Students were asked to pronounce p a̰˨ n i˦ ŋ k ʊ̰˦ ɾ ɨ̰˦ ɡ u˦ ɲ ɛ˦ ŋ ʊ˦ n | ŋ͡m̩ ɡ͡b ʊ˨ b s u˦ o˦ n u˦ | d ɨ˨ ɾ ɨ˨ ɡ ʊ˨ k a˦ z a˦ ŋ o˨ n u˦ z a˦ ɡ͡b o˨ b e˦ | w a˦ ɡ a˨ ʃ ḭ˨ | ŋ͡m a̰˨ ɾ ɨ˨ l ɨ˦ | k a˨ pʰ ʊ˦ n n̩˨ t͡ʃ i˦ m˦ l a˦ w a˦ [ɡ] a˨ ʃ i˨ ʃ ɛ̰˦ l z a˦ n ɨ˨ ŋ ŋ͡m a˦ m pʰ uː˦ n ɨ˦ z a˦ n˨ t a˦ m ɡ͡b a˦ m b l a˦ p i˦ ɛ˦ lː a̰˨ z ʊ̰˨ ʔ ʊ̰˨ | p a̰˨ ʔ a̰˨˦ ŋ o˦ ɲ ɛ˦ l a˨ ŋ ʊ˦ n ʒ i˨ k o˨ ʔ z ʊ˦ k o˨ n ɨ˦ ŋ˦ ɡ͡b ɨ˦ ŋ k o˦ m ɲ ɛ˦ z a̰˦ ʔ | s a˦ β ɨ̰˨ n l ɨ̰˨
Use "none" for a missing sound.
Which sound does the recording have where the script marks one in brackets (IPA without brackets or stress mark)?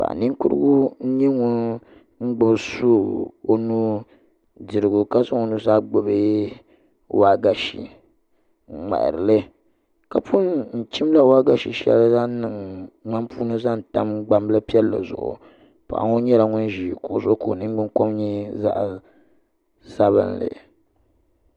ɡ